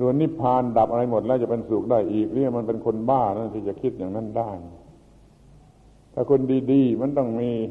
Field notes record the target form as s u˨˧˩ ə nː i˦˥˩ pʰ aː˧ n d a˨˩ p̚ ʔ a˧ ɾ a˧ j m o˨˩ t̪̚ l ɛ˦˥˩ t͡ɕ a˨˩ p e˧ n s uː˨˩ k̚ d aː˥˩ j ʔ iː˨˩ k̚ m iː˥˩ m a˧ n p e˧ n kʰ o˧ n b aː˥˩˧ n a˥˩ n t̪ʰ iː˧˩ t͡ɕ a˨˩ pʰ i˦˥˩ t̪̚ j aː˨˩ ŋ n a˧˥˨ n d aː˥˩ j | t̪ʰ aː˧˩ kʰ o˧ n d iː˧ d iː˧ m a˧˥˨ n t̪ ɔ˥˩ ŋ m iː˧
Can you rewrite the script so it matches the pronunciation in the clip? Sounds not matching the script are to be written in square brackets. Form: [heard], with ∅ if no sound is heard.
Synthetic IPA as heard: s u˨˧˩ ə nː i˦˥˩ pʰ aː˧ n d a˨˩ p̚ ʔ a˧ ɾ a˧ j m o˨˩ t̪̚ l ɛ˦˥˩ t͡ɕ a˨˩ p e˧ n s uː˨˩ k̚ d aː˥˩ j ʔ iː˨˩ k̚ [n] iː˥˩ m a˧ n p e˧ n kʰ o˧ n b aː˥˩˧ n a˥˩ n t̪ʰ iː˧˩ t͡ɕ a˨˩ [kʰ] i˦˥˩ t̪̚ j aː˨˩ ŋ n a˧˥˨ n d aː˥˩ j | t̪ʰ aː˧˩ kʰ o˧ n d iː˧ d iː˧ m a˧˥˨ n t̪ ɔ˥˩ ŋ m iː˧